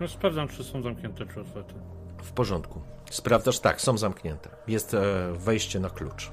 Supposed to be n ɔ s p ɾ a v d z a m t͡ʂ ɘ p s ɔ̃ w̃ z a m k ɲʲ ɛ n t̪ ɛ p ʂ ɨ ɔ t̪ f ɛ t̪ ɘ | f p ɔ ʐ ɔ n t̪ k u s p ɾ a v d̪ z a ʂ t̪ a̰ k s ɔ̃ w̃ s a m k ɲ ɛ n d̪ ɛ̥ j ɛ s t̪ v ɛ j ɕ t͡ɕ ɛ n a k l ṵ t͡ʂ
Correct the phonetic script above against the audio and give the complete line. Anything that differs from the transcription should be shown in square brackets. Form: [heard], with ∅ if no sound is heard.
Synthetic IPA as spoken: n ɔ s p ɾ a v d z a m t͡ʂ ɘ [∅] s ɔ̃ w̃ z a m k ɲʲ ɛ n t̪ ɛ p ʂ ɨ ɔ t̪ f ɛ t̪ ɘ | f p ɔ ʐ ɔ n t̪ k u s p ɾ a v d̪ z a ʂ t̪ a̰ k s ɔ̃ w̃ [z] a m k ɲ ɛ n [t̪] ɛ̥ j ɛ s t̪ v ɛ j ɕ t͡ɕ ɛ n a k l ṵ t͡ʂ